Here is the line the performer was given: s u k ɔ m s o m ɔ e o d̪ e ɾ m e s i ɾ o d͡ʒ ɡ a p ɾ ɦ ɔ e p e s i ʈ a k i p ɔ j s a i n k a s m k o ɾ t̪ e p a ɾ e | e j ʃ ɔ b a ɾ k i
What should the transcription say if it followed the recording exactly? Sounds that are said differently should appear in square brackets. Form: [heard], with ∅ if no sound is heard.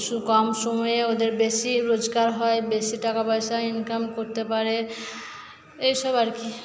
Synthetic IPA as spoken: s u k ɔ m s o m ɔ e o d̪ e ɾ [b] e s i ɾ o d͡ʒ ɡ a [∅] ɾ ɦ ɔ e [b] e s i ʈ a k [a] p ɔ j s a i n k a [∅] m k o ɾ t̪ e p a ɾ e | e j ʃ ɔ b a ɾ k i